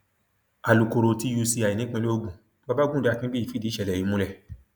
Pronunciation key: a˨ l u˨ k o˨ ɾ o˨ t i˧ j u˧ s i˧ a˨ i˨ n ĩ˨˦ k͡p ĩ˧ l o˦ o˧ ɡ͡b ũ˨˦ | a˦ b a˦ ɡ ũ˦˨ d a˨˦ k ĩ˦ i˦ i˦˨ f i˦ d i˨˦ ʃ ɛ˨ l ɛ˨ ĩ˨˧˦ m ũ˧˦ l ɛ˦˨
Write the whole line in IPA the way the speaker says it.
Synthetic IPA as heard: a˨ l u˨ k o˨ ɾ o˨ t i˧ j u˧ s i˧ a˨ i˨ n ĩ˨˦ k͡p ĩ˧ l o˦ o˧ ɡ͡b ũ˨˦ | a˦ b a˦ ɡ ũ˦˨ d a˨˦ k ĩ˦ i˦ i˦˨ f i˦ d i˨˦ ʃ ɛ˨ l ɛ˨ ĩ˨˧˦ m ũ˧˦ l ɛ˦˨